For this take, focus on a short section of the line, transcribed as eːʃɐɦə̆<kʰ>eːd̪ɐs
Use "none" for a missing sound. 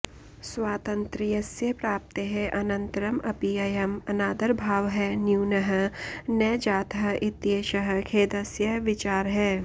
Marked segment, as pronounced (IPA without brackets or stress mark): kʰ